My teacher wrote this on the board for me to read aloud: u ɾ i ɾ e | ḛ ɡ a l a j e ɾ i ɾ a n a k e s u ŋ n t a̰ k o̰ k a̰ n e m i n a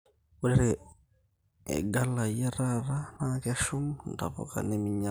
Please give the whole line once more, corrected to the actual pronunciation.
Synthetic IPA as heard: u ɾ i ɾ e | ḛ ɡ a l a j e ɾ a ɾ a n a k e ʃ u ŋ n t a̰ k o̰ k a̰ n e m i ɲ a